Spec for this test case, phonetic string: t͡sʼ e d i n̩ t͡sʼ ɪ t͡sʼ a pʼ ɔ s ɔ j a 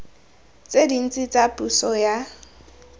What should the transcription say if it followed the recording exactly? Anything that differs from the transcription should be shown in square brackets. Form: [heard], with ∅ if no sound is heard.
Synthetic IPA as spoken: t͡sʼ e d i n̩ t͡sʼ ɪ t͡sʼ a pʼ [u] s ɔ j a